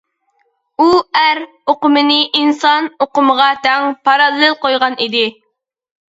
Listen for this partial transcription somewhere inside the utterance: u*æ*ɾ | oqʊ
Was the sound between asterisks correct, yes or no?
yes